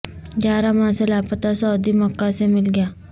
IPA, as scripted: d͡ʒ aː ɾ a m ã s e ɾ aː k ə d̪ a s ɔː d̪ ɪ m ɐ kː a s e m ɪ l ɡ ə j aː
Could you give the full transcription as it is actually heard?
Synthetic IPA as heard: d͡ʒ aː ɾ a m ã s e l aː p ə t̪ a s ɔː d̪ i m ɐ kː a s e m ɪ l ɡ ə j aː